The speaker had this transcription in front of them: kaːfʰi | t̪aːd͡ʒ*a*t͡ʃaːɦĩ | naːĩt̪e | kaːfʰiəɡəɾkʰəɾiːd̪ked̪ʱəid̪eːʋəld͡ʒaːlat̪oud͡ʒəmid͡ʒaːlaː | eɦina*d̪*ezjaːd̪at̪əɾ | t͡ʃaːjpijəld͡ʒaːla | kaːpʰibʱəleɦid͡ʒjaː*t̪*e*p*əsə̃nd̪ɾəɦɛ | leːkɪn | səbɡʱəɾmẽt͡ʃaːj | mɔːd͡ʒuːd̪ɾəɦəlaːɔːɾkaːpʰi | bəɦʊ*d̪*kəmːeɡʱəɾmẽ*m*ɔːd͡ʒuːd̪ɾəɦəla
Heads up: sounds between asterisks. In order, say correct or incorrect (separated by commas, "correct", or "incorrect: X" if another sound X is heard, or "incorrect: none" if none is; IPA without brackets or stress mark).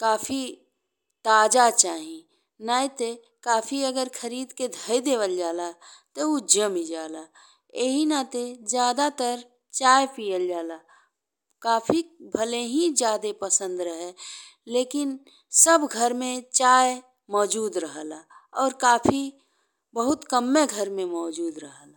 correct, incorrect: t̪, incorrect: d̪, correct, incorrect: t̪, correct